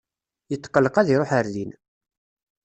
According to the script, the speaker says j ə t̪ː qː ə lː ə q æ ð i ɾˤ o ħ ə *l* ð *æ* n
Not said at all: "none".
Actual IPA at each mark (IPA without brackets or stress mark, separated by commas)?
ɾ, i